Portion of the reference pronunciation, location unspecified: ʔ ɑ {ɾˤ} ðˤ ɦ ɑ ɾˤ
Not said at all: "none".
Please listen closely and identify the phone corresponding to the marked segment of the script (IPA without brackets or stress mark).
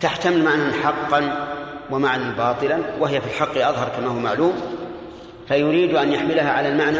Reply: none